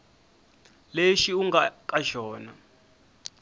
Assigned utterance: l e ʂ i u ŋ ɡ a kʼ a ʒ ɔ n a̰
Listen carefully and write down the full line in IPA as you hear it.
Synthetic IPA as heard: l e ʃ i u ŋ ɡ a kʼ a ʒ ɔː n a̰